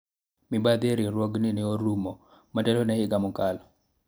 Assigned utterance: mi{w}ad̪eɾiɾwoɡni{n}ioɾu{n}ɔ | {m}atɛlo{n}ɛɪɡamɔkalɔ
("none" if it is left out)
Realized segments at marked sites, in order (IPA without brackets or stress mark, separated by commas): b, n, m, m, n